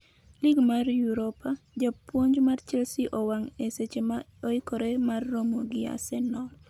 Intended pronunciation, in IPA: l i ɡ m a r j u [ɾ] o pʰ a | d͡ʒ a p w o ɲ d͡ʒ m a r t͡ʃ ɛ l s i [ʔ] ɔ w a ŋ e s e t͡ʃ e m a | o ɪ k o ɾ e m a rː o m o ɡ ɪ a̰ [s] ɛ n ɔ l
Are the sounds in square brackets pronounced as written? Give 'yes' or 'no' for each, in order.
yes, yes, yes

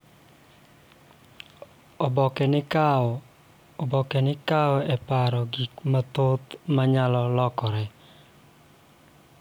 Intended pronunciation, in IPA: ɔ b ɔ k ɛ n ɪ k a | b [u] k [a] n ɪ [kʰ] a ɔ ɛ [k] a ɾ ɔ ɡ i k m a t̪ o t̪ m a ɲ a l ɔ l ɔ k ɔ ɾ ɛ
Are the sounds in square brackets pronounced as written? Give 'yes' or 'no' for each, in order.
no, no, no, no

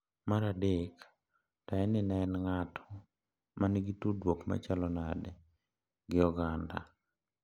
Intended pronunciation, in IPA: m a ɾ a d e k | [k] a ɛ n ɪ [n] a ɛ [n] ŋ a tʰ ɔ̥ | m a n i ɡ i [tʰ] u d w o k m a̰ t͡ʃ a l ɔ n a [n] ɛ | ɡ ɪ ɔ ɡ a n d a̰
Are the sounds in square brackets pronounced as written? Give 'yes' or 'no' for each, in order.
no, yes, yes, no, no

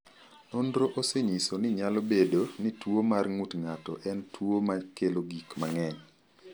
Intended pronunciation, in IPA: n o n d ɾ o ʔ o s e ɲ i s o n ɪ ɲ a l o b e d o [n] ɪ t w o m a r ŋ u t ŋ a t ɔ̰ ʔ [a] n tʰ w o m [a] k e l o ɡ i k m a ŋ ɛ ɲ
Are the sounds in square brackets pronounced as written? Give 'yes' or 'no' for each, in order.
yes, no, yes

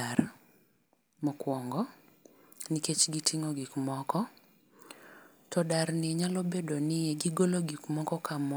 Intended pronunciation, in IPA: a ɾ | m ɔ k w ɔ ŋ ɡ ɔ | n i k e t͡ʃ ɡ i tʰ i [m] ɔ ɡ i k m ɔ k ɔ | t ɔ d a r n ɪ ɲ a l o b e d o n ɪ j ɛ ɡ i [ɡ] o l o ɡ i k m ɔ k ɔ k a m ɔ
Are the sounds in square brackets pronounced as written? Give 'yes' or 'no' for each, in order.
no, yes

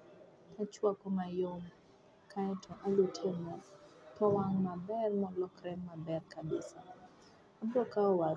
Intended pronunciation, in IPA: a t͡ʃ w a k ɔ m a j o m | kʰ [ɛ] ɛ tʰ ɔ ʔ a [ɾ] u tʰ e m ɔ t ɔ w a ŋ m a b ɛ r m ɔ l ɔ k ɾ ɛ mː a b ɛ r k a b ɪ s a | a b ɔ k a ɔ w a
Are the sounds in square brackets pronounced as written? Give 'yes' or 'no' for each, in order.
no, no

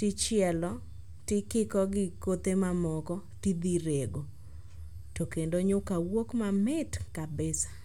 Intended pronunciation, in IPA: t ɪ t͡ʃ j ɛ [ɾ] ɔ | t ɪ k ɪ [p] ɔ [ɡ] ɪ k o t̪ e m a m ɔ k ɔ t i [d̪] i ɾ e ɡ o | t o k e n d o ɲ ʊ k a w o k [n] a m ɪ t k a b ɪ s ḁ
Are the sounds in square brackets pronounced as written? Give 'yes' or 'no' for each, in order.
no, no, yes, yes, no

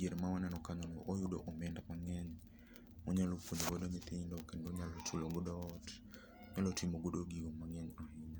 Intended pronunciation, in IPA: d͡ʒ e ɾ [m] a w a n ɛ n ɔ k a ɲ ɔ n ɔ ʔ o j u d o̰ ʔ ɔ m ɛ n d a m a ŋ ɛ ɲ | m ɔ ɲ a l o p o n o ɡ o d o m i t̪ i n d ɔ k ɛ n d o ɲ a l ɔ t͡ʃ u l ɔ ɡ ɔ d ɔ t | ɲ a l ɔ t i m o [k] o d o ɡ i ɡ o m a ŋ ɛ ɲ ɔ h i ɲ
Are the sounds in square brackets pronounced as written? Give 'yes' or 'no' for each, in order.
yes, no

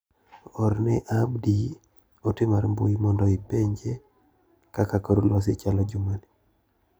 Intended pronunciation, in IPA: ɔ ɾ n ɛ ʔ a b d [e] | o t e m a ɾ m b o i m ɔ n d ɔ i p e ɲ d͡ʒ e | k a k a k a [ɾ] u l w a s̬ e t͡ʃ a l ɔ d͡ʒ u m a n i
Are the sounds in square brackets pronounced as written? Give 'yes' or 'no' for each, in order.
no, yes

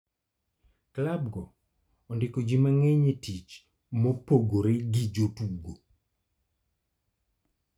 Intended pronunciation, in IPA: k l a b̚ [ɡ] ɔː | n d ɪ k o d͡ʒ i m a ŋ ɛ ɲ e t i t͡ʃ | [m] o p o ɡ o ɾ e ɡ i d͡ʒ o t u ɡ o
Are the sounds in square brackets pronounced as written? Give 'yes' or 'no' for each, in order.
yes, yes

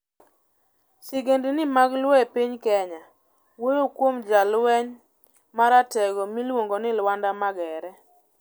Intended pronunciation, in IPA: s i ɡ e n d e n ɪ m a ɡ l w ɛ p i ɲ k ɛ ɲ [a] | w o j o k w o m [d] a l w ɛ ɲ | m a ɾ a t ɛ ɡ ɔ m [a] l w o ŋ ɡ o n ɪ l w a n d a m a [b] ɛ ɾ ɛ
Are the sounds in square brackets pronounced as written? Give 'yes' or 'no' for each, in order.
yes, no, no, no

